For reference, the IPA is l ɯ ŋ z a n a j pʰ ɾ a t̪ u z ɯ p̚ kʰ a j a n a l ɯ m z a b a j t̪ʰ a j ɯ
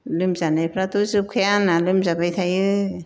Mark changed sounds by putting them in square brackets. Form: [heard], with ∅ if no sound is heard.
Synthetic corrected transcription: l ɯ [m] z a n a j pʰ ɾ a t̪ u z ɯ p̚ kʰ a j a n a l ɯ m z a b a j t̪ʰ a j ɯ